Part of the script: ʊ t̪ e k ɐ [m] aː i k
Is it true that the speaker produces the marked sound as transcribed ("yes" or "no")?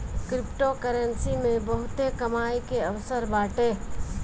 yes